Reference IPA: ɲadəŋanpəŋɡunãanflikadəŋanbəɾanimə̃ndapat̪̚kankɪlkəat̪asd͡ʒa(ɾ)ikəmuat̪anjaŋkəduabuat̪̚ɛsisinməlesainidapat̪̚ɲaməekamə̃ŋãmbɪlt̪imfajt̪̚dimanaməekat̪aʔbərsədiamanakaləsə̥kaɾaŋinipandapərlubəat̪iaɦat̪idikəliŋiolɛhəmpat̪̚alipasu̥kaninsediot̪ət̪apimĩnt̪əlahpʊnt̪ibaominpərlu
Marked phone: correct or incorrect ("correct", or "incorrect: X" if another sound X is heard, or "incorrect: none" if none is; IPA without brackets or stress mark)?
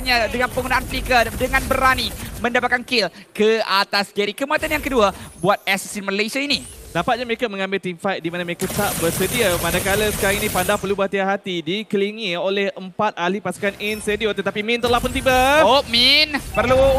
correct